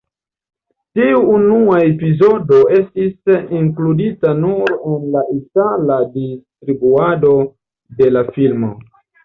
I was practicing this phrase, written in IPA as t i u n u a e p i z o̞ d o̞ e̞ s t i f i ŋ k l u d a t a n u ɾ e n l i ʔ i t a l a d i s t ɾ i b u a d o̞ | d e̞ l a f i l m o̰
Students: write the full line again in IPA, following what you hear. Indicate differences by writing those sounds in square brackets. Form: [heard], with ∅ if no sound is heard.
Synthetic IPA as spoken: t i [uː] n u a e p i z o̞ d o̞ e̞ s t i [s] i ŋ k l u d [i] t a n u ɾ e n l [a] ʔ i t a l a d i s t ɾ i b u a d o̞ | d e̞ l a f i l m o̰